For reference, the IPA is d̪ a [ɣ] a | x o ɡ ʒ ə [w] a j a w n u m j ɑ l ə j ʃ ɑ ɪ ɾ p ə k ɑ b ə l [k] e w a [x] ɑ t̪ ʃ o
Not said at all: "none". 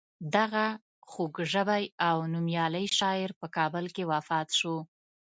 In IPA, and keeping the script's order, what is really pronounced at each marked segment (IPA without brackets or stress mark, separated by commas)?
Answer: ɣ, b, k, f